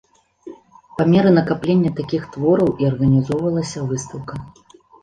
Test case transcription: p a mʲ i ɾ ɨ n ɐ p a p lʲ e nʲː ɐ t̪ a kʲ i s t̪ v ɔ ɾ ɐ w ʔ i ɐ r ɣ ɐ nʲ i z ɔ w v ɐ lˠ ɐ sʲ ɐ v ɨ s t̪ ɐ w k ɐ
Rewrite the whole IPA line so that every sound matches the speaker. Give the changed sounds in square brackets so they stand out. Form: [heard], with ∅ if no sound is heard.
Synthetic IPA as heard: p a mʲ [ɛ] ɾ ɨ n ɐ [k] a p lʲ e nʲː ɐ t̪ a kʲ i [x] t̪ v ɔ ɾ ɐ w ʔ i ɐ r ɣ ɐ nʲ i z ɔ w v ɐ lˠ ɐ sʲ ɐ v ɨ s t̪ ɐ w k ɐ